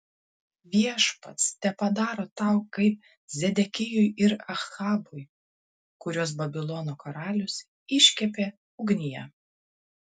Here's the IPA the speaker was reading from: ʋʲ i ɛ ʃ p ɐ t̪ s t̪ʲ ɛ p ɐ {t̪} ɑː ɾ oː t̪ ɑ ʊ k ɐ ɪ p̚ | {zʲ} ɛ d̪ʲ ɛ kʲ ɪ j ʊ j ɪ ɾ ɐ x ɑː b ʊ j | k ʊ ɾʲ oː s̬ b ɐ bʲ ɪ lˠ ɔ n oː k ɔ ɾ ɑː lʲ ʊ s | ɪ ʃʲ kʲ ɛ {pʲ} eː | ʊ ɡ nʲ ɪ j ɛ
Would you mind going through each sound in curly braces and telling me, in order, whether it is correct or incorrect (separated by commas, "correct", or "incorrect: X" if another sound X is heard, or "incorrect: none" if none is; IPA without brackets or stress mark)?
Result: incorrect: d̪, correct, correct